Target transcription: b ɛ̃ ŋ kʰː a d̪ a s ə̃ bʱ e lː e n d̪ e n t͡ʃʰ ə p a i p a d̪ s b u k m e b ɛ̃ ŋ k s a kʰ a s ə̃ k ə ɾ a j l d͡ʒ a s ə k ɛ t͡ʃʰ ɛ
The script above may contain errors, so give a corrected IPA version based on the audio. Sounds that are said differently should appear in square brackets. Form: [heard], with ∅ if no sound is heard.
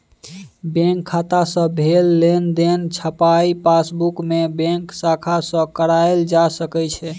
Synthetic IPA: b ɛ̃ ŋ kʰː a [t̪] a s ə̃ bʱ e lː e n d̪ e n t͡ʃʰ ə p a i p a [∅] s b u k m e b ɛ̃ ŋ k s a kʰ a s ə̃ k ə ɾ a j l d͡ʒ a s ə k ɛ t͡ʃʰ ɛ